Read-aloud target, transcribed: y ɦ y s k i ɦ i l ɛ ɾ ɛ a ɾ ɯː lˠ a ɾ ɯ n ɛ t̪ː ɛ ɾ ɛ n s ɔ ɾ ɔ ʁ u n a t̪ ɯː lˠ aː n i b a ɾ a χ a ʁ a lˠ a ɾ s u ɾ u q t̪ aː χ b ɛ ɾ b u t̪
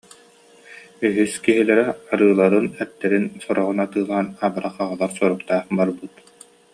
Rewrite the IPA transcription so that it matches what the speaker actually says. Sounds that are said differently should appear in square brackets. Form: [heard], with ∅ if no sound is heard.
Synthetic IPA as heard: y ɦ y s k i ɦ i l ɛ ɾ ɛ a ɾ ɯː lˠ a ɾ ɯ n ɛ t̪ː ɛ ɾ [i] n s ɔ ɾ ɔ ʁ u n a t̪ ɯː lˠ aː n [a] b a ɾ a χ a ʁ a lˠ a ɾ s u ɾ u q t̪ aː χ b [a] ɾ b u t̪